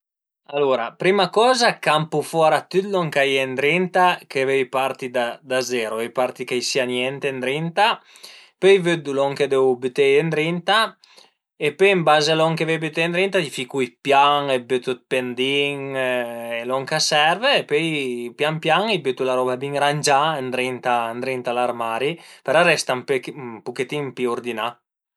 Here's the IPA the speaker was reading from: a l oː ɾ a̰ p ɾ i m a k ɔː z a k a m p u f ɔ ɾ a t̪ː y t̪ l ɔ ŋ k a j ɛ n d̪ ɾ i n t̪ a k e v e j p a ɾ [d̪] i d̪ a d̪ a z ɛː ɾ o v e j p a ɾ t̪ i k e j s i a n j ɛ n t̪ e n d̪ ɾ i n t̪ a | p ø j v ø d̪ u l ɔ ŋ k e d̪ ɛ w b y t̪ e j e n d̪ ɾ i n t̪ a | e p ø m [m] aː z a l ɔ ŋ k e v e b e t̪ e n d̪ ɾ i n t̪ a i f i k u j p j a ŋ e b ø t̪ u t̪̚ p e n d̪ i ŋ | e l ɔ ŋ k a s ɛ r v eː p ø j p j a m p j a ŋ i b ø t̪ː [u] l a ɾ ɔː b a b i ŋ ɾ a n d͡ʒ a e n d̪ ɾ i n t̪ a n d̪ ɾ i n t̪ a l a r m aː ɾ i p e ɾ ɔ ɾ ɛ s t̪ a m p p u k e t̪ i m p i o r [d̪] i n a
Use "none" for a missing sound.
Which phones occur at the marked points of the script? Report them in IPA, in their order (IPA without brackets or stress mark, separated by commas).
t̪, b, u, d̪